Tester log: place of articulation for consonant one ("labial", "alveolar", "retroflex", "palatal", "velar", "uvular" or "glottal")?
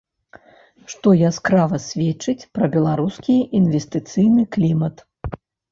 retroflex